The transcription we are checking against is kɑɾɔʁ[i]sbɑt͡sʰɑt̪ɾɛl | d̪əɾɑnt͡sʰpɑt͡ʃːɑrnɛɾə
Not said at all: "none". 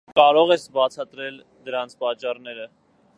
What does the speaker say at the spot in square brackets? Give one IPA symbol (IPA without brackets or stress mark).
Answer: ɛ